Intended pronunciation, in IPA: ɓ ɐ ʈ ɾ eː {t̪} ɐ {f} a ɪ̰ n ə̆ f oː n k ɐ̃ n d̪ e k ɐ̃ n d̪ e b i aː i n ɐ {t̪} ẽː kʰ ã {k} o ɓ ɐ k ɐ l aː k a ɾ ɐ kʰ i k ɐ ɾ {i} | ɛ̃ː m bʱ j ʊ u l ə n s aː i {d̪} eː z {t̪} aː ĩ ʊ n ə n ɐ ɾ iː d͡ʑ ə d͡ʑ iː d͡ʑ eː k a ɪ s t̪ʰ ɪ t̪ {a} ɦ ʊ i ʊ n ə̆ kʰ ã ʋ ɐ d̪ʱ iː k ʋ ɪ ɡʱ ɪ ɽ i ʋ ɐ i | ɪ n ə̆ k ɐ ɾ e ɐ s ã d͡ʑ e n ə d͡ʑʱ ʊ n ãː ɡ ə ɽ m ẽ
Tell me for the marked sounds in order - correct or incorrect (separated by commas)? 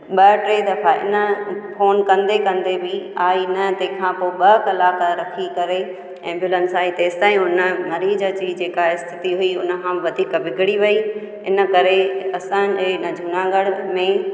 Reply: incorrect, correct, correct, incorrect, incorrect, incorrect, correct, incorrect